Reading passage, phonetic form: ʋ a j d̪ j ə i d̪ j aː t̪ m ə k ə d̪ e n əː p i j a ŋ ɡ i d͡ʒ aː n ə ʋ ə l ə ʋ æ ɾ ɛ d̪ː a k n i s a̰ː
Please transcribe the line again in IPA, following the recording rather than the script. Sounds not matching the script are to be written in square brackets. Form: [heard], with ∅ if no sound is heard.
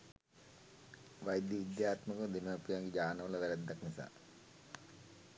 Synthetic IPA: ʋ a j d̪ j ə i d̪ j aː t̪ m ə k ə d̪ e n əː p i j a ŋ ɡ i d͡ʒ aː n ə ʋ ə l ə ʋ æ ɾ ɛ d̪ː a k n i s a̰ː

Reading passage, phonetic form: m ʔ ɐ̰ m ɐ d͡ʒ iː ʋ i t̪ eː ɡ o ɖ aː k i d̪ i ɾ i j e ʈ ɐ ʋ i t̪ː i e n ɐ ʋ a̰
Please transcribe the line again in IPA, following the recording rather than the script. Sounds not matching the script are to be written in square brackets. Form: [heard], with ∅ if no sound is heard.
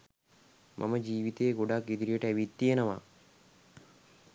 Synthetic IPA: m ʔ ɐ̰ m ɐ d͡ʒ iː ʋ i t̪ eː ɡ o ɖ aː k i d̪ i ɾ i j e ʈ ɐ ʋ i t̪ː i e n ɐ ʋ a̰

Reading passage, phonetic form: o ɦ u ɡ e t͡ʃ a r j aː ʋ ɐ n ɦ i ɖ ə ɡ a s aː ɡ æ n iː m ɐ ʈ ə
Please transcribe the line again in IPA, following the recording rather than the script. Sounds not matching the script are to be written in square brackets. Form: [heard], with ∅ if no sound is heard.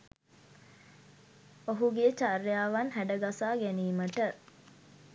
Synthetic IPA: o ɦ u ɡ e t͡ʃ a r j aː ʋ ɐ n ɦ [æ] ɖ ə ɡ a s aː ɡ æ n iː m [ə] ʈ ə

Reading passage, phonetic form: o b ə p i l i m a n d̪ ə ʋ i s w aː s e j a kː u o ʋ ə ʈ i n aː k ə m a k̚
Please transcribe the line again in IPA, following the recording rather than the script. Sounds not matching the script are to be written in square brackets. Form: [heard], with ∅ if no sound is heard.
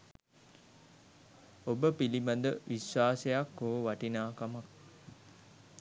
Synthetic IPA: o b ə p i l i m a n d̪ ə ʋ i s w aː s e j a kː [o] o ʋ [a] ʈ i n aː k [a] m a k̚

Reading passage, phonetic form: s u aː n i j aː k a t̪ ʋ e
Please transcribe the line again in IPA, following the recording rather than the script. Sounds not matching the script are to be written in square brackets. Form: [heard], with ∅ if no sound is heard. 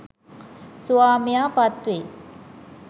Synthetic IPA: s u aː [m] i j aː [p] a t̪ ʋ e

